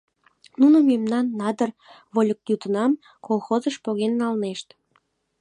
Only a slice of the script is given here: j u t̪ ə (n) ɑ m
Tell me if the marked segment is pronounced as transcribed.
yes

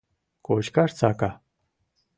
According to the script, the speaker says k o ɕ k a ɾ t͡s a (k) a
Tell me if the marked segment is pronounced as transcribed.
yes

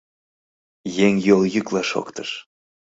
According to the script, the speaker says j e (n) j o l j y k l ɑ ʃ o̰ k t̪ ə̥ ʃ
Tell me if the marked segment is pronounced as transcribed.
no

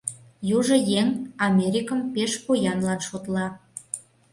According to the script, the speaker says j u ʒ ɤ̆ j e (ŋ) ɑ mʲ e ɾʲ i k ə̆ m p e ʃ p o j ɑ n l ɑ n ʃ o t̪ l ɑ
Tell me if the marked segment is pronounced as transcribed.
yes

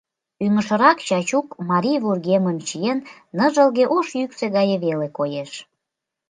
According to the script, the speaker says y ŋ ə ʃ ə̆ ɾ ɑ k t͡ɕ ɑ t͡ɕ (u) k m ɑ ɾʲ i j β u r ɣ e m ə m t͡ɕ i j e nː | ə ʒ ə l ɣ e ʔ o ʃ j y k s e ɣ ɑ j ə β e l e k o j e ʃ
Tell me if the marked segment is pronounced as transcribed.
yes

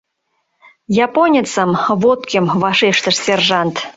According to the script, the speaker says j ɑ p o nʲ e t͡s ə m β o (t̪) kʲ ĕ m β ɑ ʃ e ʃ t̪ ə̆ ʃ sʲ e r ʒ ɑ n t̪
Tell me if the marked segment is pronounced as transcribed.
yes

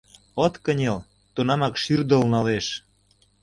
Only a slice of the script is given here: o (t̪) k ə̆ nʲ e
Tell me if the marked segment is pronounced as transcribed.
yes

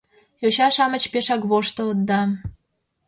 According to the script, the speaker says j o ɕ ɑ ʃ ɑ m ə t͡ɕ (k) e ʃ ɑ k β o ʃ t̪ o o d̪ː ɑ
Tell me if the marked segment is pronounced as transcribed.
no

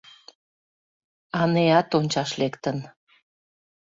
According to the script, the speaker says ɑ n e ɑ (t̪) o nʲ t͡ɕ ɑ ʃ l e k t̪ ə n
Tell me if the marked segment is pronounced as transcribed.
yes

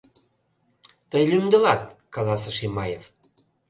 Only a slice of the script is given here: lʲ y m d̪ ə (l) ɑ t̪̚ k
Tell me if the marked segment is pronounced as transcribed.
yes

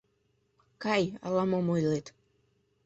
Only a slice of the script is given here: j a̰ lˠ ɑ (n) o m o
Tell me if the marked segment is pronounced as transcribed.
no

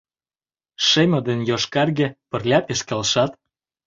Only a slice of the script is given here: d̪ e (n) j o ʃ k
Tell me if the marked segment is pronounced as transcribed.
yes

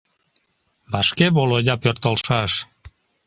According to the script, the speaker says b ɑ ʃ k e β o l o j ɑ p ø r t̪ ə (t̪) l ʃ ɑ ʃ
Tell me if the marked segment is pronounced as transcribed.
no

